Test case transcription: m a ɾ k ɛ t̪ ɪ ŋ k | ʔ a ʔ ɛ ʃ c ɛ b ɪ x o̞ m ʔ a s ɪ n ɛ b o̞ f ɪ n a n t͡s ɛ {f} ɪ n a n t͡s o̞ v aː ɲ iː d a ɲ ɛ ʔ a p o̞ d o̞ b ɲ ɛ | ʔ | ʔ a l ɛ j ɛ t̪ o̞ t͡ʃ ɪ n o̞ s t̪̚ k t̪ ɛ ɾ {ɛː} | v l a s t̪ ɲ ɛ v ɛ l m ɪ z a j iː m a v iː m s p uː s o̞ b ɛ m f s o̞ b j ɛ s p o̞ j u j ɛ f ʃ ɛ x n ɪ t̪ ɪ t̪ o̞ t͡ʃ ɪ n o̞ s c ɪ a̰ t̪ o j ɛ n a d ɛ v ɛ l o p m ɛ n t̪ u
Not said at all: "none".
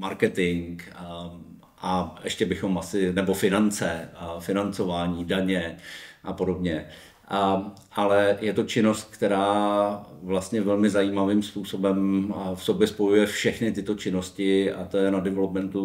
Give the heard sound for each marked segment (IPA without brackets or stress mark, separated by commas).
f, aː